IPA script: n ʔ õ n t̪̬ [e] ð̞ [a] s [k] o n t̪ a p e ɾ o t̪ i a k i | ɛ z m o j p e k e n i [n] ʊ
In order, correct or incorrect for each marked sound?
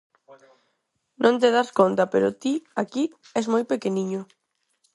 correct, correct, correct, incorrect

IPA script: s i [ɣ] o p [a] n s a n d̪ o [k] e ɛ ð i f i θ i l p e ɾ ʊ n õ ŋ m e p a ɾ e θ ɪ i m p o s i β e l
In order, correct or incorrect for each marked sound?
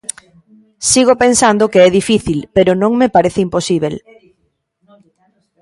correct, incorrect, correct

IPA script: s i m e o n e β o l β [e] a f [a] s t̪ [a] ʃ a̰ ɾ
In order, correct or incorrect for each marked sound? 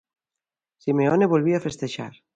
incorrect, incorrect, incorrect

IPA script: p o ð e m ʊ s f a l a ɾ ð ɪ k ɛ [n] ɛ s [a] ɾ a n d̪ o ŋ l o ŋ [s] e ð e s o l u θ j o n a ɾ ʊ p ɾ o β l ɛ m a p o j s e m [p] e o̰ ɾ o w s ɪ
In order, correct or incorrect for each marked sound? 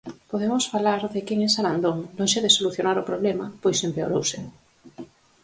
incorrect, correct, incorrect, correct

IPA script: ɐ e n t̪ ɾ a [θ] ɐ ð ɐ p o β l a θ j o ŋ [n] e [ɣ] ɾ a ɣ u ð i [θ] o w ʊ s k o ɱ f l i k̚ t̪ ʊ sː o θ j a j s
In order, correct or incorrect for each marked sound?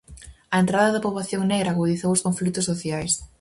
incorrect, correct, correct, correct

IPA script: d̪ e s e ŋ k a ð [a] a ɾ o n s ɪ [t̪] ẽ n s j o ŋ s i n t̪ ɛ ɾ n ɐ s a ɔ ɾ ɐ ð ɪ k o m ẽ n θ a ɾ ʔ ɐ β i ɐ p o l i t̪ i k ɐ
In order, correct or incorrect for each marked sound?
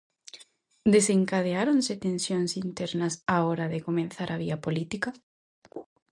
incorrect, correct

